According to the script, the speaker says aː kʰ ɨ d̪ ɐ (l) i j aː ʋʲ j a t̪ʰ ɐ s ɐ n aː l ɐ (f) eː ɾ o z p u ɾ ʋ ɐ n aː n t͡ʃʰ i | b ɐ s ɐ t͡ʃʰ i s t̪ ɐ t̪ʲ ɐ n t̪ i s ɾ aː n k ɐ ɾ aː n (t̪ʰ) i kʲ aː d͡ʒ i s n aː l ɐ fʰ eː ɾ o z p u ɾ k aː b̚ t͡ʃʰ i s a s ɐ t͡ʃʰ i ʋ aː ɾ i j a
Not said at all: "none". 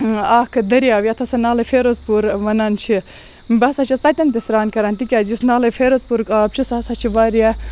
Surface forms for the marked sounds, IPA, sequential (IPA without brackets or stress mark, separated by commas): ɾ, f, t̪